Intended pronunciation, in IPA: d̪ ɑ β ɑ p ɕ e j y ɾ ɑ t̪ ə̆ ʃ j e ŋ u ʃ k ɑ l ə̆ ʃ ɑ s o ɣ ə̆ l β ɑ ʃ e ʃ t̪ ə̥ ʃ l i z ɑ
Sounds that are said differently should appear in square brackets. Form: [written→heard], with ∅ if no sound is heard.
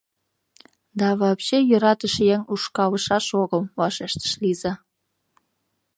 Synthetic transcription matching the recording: d̪ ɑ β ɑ p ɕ e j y ɾ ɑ t̪ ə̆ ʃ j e ŋ u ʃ k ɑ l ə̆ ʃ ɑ [s→ʃ] o ɣ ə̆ l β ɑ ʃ e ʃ t̪ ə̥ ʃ l i z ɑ